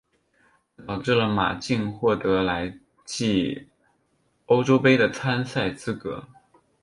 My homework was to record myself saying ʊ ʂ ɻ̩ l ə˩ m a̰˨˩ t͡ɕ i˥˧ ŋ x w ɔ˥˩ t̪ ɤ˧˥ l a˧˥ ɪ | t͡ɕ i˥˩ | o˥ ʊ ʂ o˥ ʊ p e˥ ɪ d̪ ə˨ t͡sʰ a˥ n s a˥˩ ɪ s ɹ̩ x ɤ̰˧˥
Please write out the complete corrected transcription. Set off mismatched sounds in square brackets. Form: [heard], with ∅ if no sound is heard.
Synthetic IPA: ʊ [ʈ͡ʂ] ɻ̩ l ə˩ m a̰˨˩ t͡ɕ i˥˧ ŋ x w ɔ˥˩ t̪ ɤ˧˥ l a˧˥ ɪ | t͡ɕ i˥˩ | o˥ ʊ [ʈ͡ʂ] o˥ ʊ p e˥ ɪ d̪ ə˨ t͡sʰ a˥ n s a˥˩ ɪ [t͡s] ɹ̩ [k] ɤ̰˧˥